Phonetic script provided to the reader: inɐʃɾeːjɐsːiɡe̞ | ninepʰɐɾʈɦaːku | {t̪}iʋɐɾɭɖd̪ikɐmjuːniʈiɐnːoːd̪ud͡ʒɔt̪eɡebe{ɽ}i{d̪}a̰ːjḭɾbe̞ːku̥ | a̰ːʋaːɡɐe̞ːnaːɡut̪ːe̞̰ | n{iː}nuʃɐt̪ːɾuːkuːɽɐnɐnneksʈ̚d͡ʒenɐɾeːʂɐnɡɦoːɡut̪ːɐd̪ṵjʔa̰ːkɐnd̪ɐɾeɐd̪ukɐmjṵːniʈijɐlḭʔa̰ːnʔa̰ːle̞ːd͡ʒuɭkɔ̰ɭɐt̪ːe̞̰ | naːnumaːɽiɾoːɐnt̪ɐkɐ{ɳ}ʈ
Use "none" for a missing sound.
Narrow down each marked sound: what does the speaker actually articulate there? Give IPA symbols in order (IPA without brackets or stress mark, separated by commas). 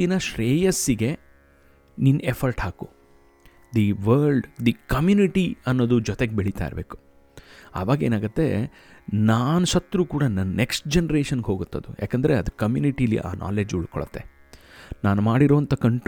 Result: d̪, ɭ, t̪, aː, ɳ